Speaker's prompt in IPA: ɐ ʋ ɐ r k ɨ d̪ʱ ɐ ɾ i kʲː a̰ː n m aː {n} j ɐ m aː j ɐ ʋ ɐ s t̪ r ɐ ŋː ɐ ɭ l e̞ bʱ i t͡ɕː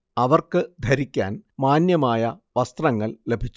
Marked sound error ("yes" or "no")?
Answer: no